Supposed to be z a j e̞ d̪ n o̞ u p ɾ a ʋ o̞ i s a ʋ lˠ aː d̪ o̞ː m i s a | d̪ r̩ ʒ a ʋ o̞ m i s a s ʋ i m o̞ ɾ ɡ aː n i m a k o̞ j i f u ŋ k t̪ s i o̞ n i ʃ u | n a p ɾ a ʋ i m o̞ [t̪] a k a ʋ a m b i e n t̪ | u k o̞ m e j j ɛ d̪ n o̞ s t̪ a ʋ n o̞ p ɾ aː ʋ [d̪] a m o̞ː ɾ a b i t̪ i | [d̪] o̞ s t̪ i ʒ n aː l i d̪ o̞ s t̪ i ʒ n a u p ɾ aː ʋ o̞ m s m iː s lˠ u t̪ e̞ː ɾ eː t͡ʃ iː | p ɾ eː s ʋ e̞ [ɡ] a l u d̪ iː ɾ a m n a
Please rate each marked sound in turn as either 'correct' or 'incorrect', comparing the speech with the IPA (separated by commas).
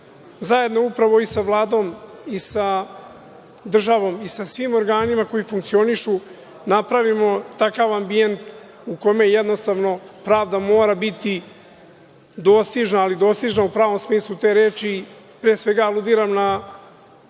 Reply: correct, correct, correct, correct